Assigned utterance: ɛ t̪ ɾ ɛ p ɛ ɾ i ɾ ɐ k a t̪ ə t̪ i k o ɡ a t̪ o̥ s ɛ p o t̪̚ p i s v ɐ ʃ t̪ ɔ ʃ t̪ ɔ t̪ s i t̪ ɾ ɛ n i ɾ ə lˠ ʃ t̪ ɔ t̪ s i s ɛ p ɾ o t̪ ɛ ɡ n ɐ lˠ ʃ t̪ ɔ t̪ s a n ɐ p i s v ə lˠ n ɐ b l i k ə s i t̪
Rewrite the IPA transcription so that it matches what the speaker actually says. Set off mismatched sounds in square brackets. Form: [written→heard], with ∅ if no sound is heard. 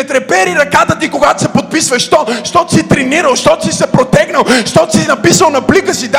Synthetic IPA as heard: ɛ t̪ ɾ ɛ p ɛ ɾ i ɾ ɐ k a t̪ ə t̪ i k o ɡ a t̪ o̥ s ɛ p o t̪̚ p i s v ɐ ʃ t̪ ɔ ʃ t̪ ɔ t̪ s i t̪ ɾ ɛ n i ɾ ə lˠ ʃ t̪ ɔ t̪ s i s ɛ p ɾ o t̪ ɛ ɡ n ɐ lˠ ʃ t̪ ɔ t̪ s [a→i] n ɐ p i s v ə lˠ n ɐ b l i k ə s i [t̪→d̪]